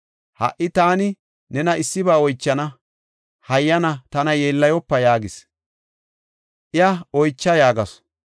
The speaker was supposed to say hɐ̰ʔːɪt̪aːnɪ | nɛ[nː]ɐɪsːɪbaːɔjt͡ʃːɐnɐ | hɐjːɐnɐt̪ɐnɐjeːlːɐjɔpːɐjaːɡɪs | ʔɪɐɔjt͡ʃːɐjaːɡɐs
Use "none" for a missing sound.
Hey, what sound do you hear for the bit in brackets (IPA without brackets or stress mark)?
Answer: n